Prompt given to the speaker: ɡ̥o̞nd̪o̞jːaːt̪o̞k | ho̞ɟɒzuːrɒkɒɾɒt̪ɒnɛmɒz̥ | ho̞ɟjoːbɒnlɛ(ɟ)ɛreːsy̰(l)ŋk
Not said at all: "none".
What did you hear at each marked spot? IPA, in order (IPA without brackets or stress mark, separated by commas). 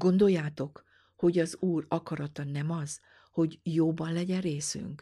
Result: ɟ, none